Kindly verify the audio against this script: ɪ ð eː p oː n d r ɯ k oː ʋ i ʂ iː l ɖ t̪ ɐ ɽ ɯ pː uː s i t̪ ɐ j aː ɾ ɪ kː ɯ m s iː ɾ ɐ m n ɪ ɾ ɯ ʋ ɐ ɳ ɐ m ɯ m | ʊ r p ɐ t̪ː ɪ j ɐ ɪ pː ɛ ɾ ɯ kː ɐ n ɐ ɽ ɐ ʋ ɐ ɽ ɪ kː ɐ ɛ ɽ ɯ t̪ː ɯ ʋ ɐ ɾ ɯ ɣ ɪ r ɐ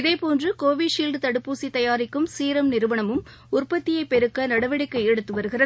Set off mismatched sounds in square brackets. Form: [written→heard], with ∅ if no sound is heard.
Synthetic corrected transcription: ɪ ð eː p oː n d r ɯ k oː ʋ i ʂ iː l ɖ t̪ ɐ ɽ ɯ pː uː s i t̪ ɐ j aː ɾ ɪ kː ɯ m s iː ɾ ɐ m n ɪ ɾ ɯ ʋ ɐ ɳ ɐ m ɯ m | ʊ r p ɐ t̪ː ɪ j ɐ ɪ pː ɛ ɾ ɯ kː ɐ n ɐ ɽ ɐ ʋ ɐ ɽ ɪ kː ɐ ɛ ɽ ɯ t̪ː ɯ ʋ ɐ ɾ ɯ ɣ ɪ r ɐ